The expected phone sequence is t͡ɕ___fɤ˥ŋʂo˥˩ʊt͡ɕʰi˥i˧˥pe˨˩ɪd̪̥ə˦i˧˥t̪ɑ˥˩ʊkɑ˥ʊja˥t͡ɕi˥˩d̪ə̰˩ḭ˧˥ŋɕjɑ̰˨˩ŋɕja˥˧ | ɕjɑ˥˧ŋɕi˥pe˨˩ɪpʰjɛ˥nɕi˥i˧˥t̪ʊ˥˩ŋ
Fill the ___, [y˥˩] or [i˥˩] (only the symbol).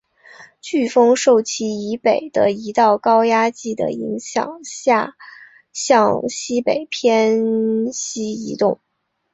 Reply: y˥˩